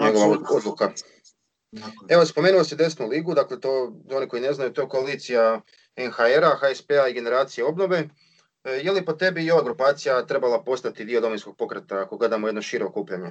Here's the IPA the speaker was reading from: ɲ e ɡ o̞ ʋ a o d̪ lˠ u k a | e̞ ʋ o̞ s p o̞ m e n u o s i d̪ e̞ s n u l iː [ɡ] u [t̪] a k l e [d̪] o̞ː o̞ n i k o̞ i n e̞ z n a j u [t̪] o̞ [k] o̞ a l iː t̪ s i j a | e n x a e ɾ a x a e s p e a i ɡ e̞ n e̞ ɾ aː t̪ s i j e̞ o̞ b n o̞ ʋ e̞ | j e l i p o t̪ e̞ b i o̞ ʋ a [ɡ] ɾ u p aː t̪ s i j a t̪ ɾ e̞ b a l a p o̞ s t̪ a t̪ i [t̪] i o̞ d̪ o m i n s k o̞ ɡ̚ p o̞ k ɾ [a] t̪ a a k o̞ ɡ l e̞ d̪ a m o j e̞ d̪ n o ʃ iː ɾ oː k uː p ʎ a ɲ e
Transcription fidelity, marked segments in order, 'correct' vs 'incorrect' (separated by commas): correct, incorrect, incorrect, correct, correct, correct, incorrect, incorrect